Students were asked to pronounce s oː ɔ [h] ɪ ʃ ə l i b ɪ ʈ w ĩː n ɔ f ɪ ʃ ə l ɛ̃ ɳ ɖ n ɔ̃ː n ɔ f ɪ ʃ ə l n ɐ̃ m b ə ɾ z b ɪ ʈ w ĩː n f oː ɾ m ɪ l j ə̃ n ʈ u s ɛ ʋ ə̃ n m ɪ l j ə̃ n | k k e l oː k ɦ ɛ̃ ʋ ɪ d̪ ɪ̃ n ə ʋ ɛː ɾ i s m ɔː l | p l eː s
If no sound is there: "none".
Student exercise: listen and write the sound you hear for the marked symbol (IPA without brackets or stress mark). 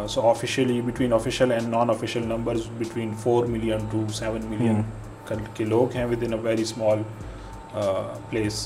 f